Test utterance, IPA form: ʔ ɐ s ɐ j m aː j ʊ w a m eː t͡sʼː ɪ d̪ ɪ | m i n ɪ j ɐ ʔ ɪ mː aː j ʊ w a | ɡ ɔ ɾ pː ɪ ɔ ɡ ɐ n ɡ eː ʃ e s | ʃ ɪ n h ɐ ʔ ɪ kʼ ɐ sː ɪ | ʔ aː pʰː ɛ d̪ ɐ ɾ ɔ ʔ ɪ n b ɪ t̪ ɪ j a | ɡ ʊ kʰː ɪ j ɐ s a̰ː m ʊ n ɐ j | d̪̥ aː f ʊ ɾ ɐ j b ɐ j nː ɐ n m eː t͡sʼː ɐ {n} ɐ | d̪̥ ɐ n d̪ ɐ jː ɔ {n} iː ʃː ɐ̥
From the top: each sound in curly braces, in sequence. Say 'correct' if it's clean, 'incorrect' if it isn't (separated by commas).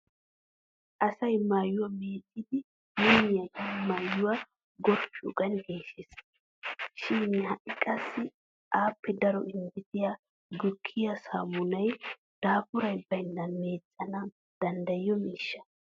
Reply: correct, incorrect